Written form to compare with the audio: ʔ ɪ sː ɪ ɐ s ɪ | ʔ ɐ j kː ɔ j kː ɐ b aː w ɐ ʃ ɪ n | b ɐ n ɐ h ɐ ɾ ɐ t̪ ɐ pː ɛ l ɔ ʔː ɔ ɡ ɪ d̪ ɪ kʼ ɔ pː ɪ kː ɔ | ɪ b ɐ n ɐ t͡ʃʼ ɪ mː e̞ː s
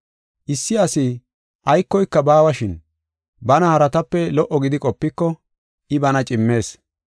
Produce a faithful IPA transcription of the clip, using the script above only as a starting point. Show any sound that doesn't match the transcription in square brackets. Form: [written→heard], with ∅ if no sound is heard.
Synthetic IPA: ʔ ɪ sː ɪ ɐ s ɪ | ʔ ɐ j kː ɔ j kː ɐ b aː w ɐ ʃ ɪ n | b ɐ n ɐ h ɐ ɾ ɐ t̪ ɐ pː ɛ l ɔ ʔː ɔ ɡ ɪ d̪ ɪ kʼ ɔ pː ɪ kː ɔ | ɪ b ɐ n ɐ t͡ʃʼ ɪ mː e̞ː s